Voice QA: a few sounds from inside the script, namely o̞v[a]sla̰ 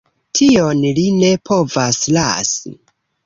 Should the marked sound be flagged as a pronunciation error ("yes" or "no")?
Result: no